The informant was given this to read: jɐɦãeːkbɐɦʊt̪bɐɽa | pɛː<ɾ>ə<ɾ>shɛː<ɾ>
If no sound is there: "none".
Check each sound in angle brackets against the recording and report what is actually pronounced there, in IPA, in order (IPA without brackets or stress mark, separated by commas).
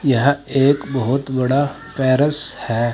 ɾ, none, none